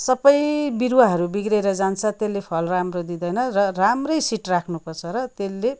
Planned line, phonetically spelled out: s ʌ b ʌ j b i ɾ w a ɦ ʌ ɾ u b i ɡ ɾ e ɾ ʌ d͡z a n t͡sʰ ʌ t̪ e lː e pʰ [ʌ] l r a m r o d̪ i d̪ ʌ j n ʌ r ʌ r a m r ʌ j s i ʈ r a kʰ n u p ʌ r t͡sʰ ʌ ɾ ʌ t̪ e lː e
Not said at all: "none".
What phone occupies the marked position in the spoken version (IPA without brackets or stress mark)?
ʌ